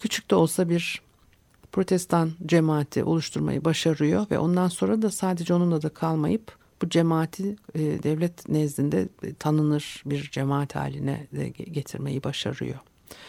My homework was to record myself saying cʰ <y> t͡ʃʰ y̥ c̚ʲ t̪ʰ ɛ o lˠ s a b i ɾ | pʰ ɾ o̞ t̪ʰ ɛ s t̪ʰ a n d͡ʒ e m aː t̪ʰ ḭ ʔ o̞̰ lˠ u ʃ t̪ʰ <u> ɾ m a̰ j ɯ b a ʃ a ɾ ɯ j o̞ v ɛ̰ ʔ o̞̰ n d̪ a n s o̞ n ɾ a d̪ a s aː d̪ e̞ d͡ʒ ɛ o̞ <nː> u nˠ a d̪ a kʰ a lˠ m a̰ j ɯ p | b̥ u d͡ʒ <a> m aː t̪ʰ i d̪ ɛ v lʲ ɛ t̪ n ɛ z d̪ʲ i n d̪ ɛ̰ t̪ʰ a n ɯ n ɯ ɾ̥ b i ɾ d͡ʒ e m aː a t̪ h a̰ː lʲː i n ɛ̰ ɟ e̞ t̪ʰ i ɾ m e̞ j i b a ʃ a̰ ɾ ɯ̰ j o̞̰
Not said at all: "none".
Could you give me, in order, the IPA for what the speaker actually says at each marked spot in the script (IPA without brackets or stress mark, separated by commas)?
y, u, n, e